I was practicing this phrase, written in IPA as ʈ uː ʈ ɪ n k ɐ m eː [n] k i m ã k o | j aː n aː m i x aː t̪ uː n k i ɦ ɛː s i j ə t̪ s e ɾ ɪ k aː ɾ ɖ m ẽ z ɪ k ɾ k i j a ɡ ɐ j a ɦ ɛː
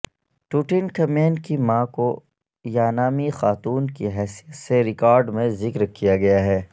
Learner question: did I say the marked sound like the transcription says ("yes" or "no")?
yes